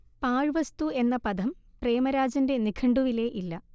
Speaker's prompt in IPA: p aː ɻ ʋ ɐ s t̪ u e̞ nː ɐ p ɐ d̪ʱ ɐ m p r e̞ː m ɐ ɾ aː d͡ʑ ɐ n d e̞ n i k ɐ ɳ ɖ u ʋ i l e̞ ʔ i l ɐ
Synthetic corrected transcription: p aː ɻ ʋ ɐ s t̪ u e̞ nː ɐ p ɐ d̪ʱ ɐ m p r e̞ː m ɐ ɾ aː d͡ʑ ɐ n d e̞ n i kʰ ɐ ɳ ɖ u ʋ i l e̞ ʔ i lː ɐ